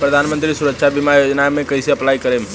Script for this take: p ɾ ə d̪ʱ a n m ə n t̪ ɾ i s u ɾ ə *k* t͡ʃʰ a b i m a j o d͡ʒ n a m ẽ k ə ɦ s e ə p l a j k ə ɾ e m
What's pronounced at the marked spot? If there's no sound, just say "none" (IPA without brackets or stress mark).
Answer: k